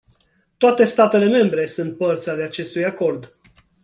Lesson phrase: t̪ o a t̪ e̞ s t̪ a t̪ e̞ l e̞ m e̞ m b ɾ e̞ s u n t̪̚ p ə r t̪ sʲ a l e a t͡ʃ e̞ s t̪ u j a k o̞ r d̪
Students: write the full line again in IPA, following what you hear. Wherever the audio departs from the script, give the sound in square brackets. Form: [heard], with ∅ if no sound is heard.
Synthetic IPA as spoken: t̪ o a t̪ e̞ s t̪ a t̪ e̞ l e̞ m e̞ m b ɾ e̞ s u n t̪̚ p ə r t̪ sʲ a l e a t͡ʃ e̞ s t̪ u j a k o̞ r d̪

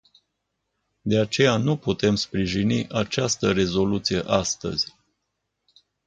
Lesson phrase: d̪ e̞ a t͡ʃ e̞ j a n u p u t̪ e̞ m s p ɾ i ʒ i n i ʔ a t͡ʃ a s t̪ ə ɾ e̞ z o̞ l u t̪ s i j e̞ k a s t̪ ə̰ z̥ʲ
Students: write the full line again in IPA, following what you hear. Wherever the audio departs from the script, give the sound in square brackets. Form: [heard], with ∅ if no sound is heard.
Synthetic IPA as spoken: d̪ e̞ a t͡ʃ e̞ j a n u p u t̪ e̞ m s p ɾ i ʒ i n i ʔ a t͡ʃ a s t̪ ə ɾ e̞ z o̞ l u t̪ s i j e̞ [ʔ] a s t̪ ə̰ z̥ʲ

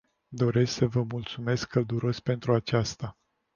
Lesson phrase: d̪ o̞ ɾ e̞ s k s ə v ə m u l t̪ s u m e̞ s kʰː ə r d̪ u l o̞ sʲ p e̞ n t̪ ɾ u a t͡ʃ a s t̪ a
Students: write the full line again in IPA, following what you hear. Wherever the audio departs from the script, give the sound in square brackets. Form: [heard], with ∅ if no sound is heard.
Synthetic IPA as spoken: d̪ o̞ ɾ e̞ s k s ə v ə m u l t̪ s u m e̞ s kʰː ə [l] d̪ u [ɾ] o̞ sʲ p e̞ n t̪ ɾ u a t͡ʃ a s t̪ a

